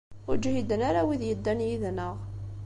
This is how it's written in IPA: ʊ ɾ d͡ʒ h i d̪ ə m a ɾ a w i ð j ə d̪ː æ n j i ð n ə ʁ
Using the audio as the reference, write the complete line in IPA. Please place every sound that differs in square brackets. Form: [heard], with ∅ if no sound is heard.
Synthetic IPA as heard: ʊ ɾ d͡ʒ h i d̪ ə [n] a ɾ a w i ð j ə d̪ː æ n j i ð n ə ʁ

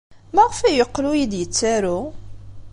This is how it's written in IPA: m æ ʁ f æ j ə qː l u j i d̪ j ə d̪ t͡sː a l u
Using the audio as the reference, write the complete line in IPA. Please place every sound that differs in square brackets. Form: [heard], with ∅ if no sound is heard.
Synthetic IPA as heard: m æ ʁ f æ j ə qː l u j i d̪ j ə [∅] t͡sː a [ɾ] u

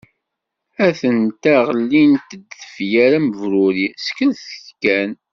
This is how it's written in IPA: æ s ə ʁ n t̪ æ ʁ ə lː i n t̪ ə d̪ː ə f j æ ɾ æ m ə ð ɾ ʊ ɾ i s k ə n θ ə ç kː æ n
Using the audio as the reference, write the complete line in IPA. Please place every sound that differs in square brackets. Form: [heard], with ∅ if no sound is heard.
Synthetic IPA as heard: æ [θ] ə [∅] n t̪ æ ʁ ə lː i n t̪ ə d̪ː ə f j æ ɾ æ m ə [v] ɾ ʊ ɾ i s k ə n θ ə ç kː æ n

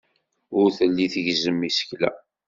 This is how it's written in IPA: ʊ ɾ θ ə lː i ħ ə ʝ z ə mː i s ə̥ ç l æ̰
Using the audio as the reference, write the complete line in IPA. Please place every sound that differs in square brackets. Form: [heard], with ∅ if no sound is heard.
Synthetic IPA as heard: ʊ ɾ θ ə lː i [θ] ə ʝ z ə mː i s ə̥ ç l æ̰

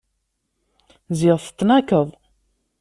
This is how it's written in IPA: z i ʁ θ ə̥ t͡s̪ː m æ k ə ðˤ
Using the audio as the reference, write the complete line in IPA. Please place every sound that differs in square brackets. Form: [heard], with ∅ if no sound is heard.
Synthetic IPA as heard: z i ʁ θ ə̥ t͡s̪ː [n] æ k ə ðˤ

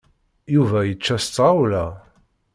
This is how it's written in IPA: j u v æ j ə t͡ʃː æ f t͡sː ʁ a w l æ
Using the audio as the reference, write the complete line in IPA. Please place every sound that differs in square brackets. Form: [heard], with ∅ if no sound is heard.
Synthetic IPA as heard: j u v æ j ə t͡ʃː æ [s] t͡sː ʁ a w l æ

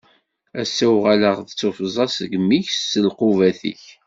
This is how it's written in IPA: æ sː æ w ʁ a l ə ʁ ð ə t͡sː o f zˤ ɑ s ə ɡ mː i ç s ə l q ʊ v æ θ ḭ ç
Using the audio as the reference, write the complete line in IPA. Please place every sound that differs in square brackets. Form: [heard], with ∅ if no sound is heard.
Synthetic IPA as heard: æ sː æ w ʁ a l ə ʁ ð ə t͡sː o f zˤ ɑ s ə ɡ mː i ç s ə l q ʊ v æ θ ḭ ç

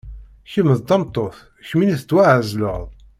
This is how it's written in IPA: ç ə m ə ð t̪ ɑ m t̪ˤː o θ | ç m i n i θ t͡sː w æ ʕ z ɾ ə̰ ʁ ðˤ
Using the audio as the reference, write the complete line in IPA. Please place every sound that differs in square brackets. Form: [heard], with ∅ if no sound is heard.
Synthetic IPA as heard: ç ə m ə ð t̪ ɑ m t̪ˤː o θ | ç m i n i θ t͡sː w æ ʕ z [l] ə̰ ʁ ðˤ

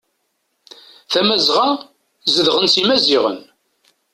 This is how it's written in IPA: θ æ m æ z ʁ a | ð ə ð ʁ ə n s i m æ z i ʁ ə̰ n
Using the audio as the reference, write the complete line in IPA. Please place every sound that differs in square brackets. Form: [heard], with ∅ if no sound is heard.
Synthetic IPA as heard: θ æ m æ z ʁ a | [z] ə ð ʁ ə n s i m æ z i ʁ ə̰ n

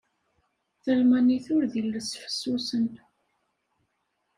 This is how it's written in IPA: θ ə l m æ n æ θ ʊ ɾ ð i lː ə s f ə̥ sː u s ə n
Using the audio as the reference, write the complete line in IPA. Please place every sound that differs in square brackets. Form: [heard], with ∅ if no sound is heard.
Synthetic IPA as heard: θ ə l m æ n [i] θ ʊ ɾ ð i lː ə s f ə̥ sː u s ə n

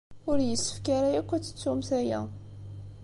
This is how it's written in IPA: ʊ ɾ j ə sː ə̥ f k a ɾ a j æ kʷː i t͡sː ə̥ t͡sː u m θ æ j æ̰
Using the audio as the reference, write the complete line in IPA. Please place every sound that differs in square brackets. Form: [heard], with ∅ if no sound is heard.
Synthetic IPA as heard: ʊ ɾ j ə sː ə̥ f k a ɾ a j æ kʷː [æ] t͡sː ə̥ t͡sː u m θ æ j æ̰

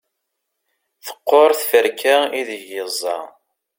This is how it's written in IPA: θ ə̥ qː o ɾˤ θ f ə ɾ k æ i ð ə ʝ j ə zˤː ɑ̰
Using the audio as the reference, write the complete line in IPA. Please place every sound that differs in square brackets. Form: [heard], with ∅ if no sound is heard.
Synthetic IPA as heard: θ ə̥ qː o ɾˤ θ f ə ɾ k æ i ð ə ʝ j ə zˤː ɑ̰

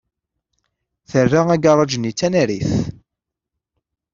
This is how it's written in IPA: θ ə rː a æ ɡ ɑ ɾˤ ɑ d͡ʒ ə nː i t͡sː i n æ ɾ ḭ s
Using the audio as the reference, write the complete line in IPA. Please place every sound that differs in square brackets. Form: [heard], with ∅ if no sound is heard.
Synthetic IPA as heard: θ ə rː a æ ɡ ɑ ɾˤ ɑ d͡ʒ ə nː i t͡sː [æ] n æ ɾ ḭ [θ]

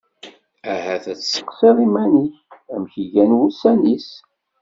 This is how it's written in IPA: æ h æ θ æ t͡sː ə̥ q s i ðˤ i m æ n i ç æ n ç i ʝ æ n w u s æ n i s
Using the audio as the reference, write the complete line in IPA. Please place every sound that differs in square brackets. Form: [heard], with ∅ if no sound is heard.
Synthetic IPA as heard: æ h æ θ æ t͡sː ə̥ q s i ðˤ i m æ n i ç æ [m] ç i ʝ æ n w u s æ n i s

